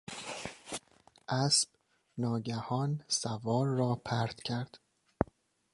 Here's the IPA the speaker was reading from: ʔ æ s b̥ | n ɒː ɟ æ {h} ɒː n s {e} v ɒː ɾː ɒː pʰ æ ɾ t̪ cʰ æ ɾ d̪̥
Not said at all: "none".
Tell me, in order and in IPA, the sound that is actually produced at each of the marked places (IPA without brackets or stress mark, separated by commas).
h, æ